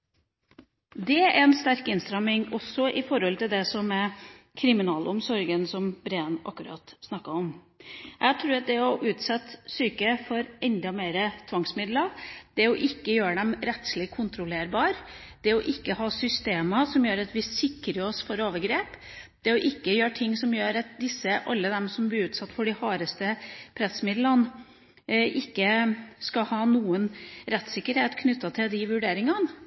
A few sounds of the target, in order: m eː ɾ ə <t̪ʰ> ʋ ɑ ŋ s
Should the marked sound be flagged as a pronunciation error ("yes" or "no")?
no